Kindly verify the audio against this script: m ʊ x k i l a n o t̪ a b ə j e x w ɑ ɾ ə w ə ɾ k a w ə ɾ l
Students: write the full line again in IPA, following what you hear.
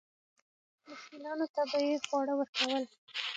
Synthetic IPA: m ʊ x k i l ɑ n o t̪ a b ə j e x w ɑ ɽ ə w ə ɾ k a w ə l